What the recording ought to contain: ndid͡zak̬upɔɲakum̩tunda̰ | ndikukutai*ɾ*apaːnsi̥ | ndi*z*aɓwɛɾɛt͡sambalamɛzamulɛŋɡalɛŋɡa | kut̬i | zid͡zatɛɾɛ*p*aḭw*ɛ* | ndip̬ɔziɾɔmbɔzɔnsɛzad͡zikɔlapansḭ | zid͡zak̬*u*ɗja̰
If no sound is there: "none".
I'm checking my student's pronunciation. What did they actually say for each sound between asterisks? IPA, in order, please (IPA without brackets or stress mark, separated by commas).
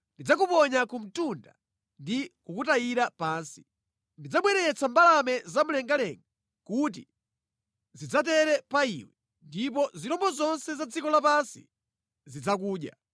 ɾ, d͡z, p, ɛ, uː